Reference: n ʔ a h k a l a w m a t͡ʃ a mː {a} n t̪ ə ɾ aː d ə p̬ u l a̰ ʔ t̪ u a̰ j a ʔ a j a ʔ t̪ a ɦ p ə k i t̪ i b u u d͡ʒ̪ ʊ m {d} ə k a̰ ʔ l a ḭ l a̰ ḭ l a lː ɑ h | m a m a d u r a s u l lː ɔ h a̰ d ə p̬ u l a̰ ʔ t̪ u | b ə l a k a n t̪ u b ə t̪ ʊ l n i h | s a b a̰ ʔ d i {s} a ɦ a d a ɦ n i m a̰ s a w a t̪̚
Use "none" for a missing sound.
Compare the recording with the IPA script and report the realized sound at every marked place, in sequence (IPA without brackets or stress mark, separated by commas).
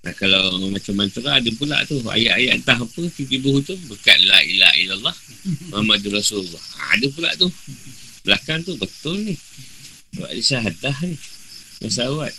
a, b, s